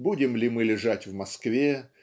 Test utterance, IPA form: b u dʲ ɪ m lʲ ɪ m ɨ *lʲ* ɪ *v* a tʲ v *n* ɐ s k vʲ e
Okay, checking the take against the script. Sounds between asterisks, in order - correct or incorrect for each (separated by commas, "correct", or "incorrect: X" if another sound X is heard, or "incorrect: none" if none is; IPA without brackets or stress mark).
correct, incorrect: ʐ, incorrect: m